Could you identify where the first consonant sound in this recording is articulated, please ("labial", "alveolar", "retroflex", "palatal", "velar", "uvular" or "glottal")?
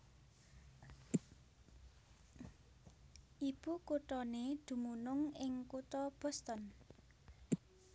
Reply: glottal